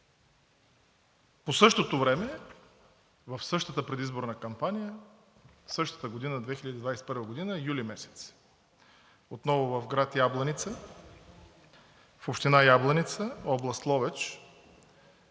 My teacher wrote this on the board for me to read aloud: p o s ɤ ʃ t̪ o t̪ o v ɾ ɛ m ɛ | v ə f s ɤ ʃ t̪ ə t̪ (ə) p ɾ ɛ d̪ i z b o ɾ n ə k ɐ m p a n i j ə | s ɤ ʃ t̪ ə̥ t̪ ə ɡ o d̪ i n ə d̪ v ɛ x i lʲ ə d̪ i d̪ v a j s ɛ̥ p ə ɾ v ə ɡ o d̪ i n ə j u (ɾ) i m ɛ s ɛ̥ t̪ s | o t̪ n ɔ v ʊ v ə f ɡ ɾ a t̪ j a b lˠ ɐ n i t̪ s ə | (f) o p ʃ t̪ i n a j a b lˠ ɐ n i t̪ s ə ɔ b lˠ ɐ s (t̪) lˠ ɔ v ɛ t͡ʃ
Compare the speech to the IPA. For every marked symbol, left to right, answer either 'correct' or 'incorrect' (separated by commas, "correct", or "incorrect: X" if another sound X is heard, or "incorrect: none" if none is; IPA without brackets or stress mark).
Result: correct, incorrect: l, correct, correct